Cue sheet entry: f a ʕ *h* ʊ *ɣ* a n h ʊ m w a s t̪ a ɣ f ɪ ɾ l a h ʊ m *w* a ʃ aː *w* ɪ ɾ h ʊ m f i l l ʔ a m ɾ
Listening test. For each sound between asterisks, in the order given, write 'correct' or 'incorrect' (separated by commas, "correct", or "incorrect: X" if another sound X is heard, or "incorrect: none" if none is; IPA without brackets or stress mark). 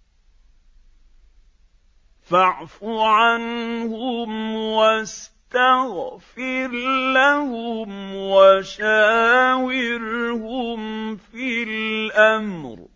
incorrect: f, incorrect: ʕ, correct, correct